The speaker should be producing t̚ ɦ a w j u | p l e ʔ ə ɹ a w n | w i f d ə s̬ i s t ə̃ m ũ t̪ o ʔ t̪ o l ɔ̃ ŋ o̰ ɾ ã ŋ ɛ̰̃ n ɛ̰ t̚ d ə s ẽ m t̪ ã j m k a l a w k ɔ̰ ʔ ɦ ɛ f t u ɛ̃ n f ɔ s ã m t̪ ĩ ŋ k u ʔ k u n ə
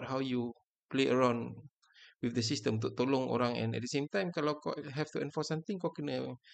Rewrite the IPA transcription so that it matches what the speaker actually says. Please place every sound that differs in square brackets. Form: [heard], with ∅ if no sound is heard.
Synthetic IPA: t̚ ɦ a w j u | p l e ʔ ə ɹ a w n | w i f d ə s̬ i s t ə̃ m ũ t̪ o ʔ t̪ o l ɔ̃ ŋ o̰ ɾ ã ŋ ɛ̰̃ n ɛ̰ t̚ d ə s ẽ m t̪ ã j m k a l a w k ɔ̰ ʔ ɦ ɛ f t u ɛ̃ n f ɔ s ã m t̪ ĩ ŋ k [ɔ] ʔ k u n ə